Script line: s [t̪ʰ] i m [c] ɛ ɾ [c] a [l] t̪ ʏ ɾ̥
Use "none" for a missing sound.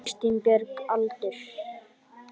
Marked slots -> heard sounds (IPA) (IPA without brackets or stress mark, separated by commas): t̪, p, k, l